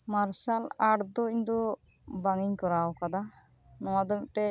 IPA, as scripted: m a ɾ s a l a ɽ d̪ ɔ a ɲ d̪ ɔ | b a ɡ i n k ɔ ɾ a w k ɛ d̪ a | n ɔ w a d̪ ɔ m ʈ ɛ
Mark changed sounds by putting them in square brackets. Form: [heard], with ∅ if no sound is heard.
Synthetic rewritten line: m a ɾ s a l a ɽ d̪ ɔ [i] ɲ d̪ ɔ | b a [ŋ] i [ɲ] k ɔ ɾ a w k [a] d̪ a | n ɔ w a d̪ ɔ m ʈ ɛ